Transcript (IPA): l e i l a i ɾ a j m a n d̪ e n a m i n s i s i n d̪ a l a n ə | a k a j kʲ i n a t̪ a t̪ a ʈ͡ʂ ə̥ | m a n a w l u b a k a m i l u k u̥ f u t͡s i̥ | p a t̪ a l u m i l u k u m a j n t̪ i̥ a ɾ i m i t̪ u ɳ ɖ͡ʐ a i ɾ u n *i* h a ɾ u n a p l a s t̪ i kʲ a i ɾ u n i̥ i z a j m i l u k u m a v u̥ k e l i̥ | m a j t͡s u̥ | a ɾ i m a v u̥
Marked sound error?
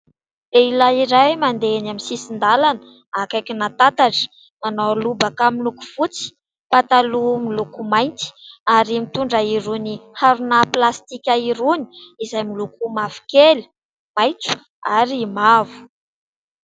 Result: no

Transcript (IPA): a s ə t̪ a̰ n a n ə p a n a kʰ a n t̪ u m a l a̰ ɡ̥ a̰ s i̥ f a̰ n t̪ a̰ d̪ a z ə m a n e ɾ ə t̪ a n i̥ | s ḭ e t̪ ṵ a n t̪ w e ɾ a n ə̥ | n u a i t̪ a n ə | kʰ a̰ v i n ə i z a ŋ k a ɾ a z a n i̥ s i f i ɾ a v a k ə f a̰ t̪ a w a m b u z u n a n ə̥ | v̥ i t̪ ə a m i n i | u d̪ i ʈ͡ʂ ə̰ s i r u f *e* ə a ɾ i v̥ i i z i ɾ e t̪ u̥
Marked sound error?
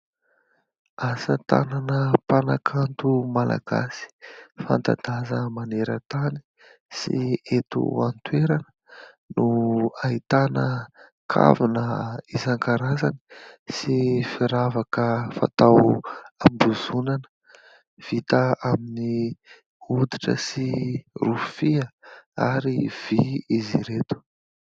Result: yes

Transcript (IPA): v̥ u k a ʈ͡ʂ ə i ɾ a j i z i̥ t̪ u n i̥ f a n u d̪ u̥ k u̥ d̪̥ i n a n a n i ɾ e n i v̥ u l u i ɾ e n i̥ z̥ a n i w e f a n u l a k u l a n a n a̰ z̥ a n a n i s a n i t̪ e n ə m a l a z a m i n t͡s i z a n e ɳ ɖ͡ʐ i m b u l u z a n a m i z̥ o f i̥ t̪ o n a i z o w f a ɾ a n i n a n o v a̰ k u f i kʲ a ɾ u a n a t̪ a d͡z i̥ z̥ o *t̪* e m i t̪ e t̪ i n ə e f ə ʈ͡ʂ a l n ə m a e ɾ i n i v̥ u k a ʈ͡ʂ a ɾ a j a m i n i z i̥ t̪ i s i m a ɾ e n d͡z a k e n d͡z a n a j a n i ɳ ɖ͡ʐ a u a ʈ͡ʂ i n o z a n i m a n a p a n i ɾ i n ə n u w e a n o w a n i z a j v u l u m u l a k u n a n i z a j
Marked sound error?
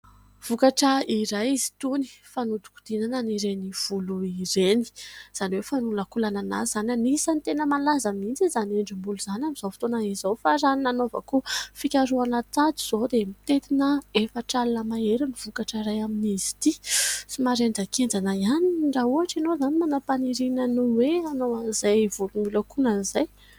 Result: yes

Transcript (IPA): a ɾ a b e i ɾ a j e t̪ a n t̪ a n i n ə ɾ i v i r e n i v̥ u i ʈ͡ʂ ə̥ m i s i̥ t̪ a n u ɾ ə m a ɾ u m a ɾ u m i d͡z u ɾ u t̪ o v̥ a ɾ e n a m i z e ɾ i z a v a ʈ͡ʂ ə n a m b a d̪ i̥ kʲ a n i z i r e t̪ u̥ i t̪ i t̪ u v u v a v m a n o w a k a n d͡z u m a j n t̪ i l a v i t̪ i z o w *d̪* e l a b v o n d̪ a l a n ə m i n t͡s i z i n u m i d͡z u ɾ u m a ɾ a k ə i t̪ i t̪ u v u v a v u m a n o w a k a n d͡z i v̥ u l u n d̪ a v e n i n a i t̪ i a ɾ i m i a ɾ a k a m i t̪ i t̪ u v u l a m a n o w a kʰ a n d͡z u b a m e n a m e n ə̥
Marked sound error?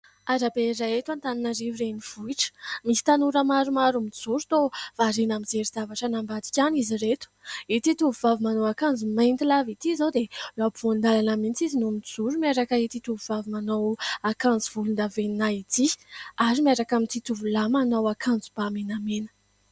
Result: no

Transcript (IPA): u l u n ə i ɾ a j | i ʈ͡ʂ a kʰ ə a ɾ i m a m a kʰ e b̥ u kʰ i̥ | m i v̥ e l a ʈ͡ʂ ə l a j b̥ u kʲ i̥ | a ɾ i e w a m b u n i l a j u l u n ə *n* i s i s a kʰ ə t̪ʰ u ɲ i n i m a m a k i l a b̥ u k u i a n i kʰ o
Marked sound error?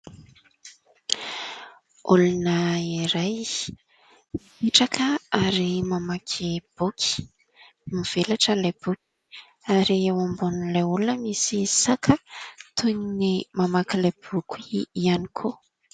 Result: yes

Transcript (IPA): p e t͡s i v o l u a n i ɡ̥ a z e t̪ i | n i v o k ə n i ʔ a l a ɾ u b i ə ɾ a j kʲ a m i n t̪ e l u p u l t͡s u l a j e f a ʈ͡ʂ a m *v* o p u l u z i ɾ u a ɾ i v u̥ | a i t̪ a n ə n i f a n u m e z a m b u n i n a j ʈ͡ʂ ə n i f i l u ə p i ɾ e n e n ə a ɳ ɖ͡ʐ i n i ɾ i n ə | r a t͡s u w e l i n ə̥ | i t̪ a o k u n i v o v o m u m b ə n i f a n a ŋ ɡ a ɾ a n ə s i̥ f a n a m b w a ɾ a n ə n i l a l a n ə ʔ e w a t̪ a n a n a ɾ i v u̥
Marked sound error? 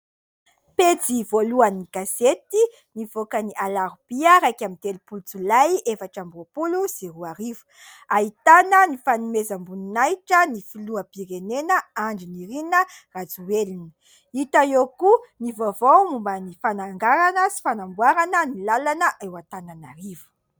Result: yes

